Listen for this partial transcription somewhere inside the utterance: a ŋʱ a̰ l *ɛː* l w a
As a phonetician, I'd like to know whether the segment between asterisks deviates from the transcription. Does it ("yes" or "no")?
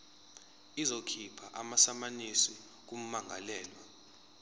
no